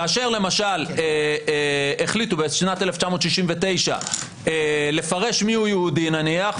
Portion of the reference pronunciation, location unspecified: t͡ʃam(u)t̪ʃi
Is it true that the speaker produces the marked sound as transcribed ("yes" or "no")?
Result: no